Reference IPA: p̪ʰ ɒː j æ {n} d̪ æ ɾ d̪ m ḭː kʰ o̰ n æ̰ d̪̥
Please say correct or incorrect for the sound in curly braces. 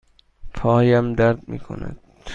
incorrect